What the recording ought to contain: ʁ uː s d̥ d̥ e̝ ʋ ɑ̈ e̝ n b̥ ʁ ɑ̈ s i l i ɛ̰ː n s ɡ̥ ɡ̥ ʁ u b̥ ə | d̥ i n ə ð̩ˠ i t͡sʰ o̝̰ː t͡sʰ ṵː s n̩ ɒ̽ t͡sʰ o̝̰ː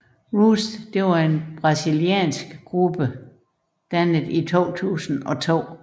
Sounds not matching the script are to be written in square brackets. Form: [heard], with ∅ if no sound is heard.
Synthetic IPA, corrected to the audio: ʁ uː s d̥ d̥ e̝ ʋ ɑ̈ e̝ n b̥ ʁ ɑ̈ s i l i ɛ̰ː n s ɡ̥ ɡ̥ ʁ u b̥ ə | d̥ [æ] n ə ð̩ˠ i t͡sʰ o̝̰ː t͡sʰ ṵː s n̩ ɒ̽ t͡sʰ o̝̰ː